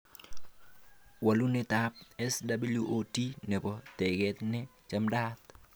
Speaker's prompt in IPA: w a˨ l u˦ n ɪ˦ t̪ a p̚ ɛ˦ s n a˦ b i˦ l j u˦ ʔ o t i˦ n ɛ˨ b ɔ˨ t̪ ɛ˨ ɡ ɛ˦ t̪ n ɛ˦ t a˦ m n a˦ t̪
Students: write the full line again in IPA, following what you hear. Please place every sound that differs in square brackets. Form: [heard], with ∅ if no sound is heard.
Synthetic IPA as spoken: w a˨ l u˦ n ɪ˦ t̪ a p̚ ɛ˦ s [d] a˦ b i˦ l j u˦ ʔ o t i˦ n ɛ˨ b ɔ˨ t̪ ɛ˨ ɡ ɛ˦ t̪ n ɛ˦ [t͡ʃ] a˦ m [d] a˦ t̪

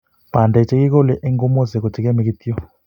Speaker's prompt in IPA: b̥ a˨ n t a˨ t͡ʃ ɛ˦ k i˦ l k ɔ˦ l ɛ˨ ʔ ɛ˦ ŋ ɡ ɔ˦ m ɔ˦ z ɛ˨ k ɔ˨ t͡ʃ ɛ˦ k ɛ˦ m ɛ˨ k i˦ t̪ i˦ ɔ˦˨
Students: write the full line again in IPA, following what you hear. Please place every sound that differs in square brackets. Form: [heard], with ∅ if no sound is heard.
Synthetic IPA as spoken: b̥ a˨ n [d] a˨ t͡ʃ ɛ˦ k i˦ [∅] k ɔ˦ l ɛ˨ ʔ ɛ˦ ŋ ɡ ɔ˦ m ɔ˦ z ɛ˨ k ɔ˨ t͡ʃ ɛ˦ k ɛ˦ m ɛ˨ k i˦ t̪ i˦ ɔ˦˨

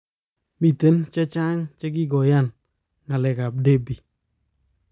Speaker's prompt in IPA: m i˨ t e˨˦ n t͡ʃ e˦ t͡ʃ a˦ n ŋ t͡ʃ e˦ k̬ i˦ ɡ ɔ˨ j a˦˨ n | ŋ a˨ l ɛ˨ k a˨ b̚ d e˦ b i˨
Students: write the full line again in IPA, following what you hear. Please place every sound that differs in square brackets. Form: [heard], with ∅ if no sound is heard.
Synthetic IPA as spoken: m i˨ t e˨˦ n t͡ʃ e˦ t͡ʃ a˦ [∅] ŋ t͡ʃ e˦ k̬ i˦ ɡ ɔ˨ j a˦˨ n | ŋ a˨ l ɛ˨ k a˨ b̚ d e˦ b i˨

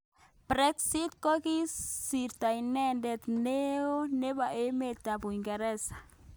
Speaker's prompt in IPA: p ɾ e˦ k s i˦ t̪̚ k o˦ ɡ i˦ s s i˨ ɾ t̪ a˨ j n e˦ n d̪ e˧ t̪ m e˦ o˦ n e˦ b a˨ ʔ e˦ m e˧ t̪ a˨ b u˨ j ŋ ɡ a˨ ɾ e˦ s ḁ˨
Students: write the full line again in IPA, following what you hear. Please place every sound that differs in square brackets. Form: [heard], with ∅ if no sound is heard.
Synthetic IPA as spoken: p ɾ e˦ k s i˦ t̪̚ k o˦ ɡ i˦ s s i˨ ɾ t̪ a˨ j n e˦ n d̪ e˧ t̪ [n] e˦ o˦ n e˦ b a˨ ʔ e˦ m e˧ t̪ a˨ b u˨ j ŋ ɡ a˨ ɾ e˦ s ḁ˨

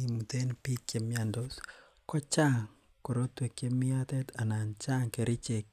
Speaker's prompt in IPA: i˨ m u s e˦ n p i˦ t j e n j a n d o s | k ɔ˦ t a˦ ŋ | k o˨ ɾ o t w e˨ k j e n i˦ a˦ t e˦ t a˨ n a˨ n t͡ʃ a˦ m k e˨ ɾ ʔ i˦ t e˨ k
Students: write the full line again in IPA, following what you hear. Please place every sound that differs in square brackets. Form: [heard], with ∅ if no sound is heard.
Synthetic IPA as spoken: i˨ m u [t] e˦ n p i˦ [k] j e [m] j a n d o s | k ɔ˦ [t͡ʃ] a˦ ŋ | k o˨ ɾ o t w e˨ k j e [m] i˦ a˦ t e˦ t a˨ n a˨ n t͡ʃ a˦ [ŋ] k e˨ ɾ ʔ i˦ [t͡ʃ] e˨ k

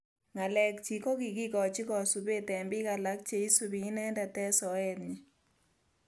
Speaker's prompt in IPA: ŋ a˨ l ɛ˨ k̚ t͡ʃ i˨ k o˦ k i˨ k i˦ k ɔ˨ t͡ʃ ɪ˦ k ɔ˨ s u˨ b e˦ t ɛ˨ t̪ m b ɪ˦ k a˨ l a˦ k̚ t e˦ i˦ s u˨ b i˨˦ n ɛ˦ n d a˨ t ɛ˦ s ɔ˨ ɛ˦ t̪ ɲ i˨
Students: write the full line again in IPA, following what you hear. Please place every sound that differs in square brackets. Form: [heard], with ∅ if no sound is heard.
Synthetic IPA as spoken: ŋ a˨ l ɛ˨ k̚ t͡ʃ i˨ k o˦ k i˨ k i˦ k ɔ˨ t͡ʃ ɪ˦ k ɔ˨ s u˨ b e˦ t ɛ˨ [∅] m b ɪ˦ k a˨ l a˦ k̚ [t͡ʃ] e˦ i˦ s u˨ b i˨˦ n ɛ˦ n d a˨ t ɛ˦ s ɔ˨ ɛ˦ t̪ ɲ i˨

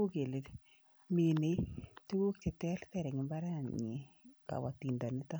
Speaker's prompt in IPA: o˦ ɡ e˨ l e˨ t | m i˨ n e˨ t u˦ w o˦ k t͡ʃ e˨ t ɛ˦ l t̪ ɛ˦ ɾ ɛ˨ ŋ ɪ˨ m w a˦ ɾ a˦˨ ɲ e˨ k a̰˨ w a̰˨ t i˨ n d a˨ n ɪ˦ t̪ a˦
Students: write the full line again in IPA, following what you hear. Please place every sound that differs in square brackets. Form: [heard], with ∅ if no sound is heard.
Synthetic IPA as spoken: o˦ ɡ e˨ l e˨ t | m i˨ n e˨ t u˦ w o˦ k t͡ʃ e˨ t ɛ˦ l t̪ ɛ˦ ɾ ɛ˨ ŋ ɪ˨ m [b] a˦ ɾ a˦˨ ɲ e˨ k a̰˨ w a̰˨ t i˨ n d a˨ n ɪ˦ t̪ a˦

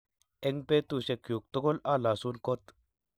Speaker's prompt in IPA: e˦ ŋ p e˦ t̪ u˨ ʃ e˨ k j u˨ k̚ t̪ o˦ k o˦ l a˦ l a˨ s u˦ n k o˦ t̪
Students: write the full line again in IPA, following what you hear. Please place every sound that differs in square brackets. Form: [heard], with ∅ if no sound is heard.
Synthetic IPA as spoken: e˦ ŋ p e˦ t̪ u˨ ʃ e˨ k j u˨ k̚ t̪ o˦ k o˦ l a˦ l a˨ s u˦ n k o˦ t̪

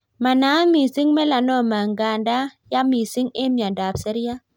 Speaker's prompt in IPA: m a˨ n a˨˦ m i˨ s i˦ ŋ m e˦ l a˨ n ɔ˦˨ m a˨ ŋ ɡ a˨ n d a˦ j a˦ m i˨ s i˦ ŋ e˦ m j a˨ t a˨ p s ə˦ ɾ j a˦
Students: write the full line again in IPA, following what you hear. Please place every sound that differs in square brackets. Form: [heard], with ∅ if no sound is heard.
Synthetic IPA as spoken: m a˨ n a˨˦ m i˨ s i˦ ŋ m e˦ l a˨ n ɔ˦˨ m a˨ ŋ ɡ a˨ n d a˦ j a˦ m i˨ s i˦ ŋ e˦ m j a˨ [d] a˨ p s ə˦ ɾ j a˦

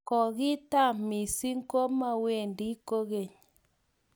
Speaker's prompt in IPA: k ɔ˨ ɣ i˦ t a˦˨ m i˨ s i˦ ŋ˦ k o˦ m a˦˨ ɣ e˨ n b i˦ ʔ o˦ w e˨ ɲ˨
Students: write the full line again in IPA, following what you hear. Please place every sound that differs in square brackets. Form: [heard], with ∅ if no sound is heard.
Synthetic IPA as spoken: k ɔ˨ ɣ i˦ t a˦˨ m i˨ s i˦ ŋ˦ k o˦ m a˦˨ [w] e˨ n [d] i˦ [k] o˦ [ɣ] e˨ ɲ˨

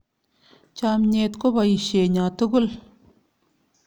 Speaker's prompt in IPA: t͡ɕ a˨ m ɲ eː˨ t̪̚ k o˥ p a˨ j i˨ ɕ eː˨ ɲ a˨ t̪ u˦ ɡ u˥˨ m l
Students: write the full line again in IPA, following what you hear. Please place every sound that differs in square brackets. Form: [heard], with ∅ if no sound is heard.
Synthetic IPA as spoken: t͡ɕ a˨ m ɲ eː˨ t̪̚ k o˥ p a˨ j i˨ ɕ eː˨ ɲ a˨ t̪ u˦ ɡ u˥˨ [∅] l

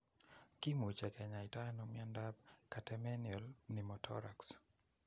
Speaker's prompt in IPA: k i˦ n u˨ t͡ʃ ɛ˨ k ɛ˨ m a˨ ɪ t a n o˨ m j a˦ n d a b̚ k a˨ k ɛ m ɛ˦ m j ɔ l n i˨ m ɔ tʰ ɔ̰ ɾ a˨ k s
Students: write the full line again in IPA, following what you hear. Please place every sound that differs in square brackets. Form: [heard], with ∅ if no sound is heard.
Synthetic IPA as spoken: k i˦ [m] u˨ t͡ʃ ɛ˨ k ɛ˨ [ɲ] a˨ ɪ t a n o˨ m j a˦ n d a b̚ k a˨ [t] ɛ m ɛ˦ [n] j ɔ l n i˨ m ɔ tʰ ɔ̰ ɾ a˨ k s

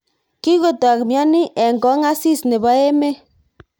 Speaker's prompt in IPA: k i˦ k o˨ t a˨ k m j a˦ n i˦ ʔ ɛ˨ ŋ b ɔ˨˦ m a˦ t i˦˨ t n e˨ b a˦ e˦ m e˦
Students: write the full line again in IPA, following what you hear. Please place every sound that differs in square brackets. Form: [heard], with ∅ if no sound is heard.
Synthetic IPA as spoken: k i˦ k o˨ t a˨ k m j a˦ n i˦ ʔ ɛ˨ ŋ [ɡ] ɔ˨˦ [ŋ] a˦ [s] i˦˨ [s] n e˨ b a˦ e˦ m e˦

